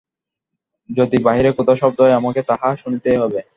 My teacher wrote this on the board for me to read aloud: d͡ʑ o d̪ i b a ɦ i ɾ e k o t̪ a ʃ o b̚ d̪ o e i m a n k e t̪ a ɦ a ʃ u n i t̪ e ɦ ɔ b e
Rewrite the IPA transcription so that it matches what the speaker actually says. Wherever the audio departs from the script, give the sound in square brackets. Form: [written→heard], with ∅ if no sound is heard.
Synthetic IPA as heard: d͡ʑ o d̪ i b a ɦ i ɾ e k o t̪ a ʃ [o→ɔ] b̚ d̪ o e [i→a] m a [n→∅] k e t̪ a ɦ a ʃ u n i t̪ e ɦ ɔ b e